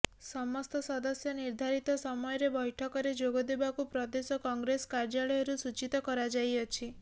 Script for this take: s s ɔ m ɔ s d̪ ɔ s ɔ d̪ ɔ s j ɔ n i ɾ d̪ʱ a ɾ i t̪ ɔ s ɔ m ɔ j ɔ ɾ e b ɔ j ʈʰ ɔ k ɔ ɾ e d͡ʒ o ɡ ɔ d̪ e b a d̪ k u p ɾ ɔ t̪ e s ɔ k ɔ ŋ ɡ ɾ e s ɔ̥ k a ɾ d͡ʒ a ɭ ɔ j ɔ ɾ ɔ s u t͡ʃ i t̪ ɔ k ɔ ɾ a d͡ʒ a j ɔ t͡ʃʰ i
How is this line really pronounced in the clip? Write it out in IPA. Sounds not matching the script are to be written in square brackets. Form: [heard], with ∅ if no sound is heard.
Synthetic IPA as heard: s s ɔ m ɔ s [t̪] ɔ s ɔ d̪ ɔ s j ɔ n i ɾ d̪ʱ a ɾ i t̪ ɔ s ɔ m ɔ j ɔ ɾ e b ɔ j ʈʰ ɔ k ɔ ɾ e d͡ʒ o ɡ ɔ d̪ e b a [∅] k u p ɾ ɔ [d̪] e s ɔ k ɔ ŋ ɡ ɾ e s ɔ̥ k a ɾ d͡ʒ a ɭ ɔ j ɔ ɾ [u] s u t͡ʃ i t̪ ɔ k ɔ ɾ a d͡ʒ a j ɔ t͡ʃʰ i